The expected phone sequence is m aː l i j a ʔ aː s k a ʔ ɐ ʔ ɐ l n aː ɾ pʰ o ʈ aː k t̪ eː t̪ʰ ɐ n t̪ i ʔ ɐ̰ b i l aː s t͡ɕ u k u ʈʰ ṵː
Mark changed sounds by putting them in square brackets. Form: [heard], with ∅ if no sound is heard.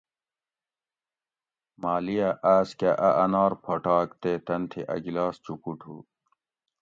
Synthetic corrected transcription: m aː l i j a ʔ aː s k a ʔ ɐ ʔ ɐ [∅] n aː ɾ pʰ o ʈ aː k t̪ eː [t̪] ɐ n [t̪ʰ] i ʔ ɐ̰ [ɡ] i l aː s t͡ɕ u k u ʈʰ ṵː

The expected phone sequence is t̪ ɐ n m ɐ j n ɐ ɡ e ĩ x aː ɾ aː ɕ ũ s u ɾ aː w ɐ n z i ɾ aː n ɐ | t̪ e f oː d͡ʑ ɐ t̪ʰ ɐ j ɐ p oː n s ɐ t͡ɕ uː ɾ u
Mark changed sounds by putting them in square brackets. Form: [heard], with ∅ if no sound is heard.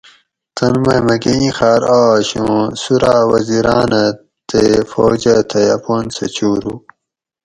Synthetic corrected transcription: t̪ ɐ n m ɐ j [m] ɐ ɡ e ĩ x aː ɾ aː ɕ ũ s u ɾ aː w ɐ [∅] z i ɾ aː n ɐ | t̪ e f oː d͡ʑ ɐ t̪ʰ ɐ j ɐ p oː n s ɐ t͡ɕ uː ɾ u

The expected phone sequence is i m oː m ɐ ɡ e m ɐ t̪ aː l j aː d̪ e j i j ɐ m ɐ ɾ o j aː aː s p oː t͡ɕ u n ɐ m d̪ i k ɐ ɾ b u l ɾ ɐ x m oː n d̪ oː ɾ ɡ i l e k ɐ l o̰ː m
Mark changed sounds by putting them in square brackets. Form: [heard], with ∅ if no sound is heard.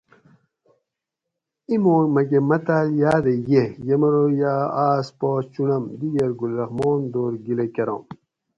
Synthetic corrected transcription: i m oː m ɐ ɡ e m ɐ t̪ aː l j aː d̪ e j [e] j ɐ m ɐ ɾ o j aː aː s p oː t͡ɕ u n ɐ m d̪ i [ɡ] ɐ ɾ [ɡ] u l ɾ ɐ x m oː n d̪ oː ɾ ɡ i l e k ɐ [ɾ] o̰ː m

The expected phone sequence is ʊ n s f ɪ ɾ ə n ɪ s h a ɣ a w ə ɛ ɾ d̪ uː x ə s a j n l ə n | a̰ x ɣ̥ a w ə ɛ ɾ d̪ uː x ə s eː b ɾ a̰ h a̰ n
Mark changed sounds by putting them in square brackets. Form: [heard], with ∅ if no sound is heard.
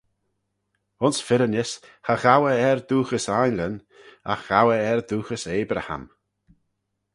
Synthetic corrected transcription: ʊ n s f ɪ ɾ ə n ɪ s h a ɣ a w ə ɛ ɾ d̪ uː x ə s a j n l ə n | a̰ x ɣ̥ a w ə ɛ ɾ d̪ uː x ə s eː b ɾ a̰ h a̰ [m]

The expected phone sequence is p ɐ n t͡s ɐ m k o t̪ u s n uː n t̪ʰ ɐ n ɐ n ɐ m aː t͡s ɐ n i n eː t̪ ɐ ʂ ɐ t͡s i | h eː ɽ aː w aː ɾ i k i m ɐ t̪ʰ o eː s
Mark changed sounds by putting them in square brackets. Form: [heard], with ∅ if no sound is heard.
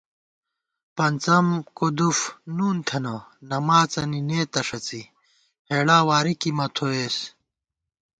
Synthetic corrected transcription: p ɐ n t͡s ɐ m k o [d̪] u [f] n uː n t̪ʰ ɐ n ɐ n ɐ m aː t͡s ɐ n i n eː t̪ ɐ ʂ ɐ t͡s i | h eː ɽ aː w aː ɾ i k i m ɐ t̪ʰ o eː s

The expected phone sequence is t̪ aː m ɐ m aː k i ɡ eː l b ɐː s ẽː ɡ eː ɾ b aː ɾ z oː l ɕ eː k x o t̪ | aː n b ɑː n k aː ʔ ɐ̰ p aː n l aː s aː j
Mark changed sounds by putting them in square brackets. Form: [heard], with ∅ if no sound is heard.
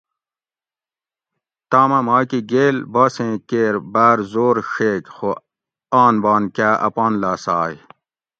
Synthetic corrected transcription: t̪ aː m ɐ m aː k i ɡ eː l b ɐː s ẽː [k] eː ɾ b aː ɾ z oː [ɾ] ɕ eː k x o [∅] | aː n b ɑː n k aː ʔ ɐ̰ p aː n l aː s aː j

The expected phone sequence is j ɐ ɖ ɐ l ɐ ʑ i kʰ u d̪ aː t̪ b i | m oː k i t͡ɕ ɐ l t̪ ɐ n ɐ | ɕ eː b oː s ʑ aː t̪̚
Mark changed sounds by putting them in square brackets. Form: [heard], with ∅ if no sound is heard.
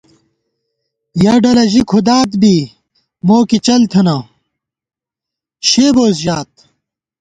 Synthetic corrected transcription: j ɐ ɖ ɐ l ɐ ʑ i kʰ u d̪ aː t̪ b i | m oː k i t͡ɕ ɐ l [t̪ʰ] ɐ n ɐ | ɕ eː b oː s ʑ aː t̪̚

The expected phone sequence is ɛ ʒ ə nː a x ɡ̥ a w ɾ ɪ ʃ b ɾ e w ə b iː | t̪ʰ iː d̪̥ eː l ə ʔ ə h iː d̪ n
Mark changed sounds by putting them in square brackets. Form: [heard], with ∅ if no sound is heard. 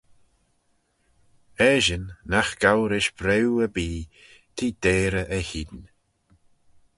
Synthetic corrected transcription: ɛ ʒ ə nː a x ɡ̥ a w ɾ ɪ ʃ b ɾ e w ə b iː | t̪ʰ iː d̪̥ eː [ɾ] ə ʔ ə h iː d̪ n

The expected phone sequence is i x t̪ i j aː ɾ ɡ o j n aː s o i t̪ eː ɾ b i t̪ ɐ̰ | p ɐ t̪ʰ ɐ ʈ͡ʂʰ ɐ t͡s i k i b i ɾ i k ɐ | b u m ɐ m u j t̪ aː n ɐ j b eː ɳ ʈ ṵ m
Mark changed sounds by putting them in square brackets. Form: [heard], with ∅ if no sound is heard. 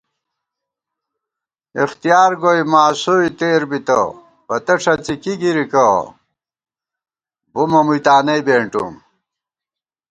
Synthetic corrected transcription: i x t̪ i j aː ɾ ɡ o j [m] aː s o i t̪ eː ɾ b i t̪ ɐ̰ | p ɐ [t̪] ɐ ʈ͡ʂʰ ɐ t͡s i k i [ɡ] i ɾ i k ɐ | b u m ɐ m u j t̪ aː n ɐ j b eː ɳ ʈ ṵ m

